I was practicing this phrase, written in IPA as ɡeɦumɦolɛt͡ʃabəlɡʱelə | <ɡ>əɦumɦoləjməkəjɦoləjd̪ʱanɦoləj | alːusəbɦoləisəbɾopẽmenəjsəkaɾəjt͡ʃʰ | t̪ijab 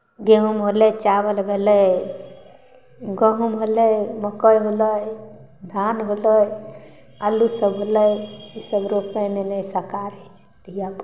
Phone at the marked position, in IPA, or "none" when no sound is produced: ɡ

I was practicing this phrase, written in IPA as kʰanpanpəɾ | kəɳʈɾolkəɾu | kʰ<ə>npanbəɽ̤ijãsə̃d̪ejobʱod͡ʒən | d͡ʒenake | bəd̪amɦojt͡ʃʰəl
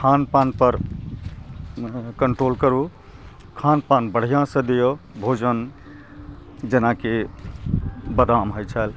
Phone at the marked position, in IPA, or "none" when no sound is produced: a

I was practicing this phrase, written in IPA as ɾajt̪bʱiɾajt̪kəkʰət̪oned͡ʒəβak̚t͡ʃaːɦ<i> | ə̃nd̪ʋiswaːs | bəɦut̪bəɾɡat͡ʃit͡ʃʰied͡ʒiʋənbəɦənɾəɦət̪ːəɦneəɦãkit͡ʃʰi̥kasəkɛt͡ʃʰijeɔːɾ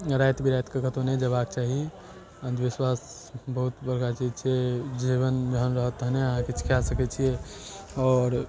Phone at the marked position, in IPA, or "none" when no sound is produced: i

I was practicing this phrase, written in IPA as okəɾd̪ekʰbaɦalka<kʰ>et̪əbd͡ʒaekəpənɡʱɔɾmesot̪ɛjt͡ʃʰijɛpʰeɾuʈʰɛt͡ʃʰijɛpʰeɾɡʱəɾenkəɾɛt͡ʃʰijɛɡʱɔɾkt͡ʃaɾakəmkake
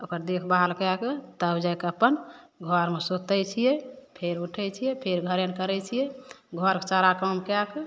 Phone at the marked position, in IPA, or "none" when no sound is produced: k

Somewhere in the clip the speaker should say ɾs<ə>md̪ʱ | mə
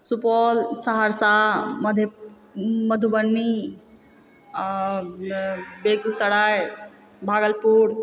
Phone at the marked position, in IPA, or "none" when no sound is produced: a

